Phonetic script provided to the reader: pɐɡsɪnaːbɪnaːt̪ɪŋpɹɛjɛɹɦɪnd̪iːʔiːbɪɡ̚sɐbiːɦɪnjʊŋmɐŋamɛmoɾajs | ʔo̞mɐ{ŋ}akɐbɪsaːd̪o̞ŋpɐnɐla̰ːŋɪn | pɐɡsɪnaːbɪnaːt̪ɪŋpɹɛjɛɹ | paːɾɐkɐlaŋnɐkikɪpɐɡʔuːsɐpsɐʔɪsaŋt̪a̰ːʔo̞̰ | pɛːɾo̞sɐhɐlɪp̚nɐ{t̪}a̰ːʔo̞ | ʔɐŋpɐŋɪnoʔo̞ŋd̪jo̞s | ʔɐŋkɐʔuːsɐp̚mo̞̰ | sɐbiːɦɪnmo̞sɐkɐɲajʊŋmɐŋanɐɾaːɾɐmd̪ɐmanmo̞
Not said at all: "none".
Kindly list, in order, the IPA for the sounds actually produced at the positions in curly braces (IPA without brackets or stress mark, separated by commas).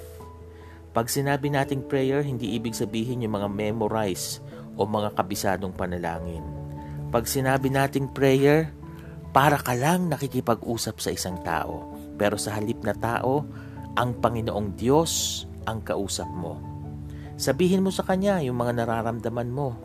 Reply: ŋ, t̪